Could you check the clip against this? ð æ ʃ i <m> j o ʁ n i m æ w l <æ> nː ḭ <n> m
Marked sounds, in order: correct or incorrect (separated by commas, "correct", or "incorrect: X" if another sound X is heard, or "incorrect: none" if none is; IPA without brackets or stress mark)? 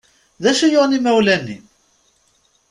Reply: incorrect: none, correct, incorrect: none